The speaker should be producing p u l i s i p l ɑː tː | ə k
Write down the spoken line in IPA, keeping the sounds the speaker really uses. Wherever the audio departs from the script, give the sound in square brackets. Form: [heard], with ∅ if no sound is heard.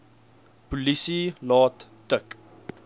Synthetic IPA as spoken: p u l i s i [∅] l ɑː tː | ə k

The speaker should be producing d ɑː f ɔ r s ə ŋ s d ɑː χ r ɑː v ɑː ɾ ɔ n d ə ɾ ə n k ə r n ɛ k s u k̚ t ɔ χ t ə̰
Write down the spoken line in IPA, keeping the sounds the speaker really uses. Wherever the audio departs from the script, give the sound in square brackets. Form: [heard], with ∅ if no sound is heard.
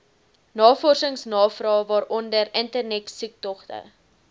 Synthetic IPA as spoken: [n] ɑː f ɔ r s ə ŋ s [n] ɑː [f] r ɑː v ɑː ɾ ɔ n d ə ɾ ə n [t] ə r n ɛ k s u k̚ t ɔ χ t ə̰

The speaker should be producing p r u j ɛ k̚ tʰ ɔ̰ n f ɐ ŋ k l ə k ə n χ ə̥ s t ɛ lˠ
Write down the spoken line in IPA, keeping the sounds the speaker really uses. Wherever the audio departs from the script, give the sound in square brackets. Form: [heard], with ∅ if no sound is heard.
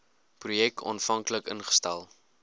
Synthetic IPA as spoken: p r u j ɛ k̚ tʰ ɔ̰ n f ɐ ŋ k l ə k ə n χ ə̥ s t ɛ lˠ

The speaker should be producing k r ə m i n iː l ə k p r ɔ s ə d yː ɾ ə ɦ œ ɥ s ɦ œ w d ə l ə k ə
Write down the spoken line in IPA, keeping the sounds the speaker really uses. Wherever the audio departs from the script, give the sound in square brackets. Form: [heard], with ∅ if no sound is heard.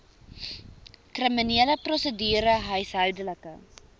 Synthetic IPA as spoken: k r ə m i n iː l ə [∅] p r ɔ s ə d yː ɾ ə ɦ œ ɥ s ɦ œ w d ə l ə k ə

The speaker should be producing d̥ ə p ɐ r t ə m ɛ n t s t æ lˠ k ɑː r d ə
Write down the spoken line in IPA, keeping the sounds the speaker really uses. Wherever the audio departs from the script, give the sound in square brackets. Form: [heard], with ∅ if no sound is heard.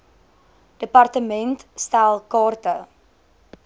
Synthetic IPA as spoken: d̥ ə p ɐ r t ə m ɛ n t s t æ lˠ k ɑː r [t] ə

